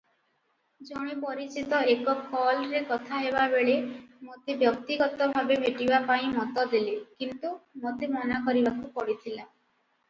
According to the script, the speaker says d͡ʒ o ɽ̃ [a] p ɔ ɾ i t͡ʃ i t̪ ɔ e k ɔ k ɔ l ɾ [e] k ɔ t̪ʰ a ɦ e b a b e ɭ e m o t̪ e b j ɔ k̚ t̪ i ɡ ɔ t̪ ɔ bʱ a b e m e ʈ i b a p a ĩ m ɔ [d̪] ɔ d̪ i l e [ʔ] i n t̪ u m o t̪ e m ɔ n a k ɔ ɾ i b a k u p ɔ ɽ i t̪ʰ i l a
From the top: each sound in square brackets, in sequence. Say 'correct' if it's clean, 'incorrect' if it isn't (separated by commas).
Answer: incorrect, correct, incorrect, incorrect